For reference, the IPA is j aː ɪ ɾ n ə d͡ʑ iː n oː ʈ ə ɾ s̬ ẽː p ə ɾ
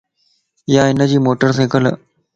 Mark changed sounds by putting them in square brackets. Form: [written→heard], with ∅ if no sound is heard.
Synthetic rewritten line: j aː ɪ [ɾ→∅] n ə d͡ʑ iː [n→m] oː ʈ ə ɾ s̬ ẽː [p→k] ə [ɾ→l]